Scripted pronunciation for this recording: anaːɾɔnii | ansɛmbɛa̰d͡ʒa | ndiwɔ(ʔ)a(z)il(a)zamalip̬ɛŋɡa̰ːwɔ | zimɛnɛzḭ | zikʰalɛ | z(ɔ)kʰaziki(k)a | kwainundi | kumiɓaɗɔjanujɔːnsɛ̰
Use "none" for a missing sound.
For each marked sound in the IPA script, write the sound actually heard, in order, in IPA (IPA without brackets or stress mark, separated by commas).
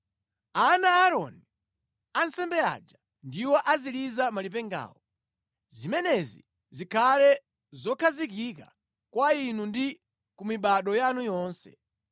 ʔ, z, i, ɔ, k